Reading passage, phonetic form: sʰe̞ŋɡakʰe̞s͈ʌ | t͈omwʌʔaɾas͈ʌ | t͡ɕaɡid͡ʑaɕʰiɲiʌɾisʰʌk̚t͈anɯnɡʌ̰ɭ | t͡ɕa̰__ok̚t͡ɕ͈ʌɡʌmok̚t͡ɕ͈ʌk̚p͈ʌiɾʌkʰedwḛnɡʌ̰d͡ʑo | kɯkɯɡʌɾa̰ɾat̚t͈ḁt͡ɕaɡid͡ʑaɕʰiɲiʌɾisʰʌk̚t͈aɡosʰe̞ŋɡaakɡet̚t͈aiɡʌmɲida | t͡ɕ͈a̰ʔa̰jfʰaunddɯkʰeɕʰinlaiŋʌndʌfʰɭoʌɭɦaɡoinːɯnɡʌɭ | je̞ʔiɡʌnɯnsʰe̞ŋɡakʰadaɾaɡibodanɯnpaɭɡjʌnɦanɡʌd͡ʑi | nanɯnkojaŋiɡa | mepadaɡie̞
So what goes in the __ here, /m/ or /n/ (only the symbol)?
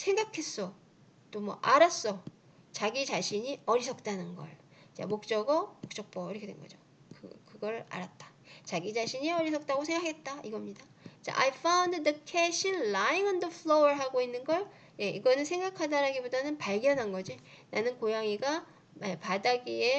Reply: m